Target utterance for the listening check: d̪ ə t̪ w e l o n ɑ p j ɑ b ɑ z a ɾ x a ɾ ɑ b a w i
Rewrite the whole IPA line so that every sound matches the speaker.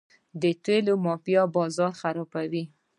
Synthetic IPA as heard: d̪ ə t̪ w e l o m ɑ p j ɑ b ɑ z ɑ ɾ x a ɾ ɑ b a w i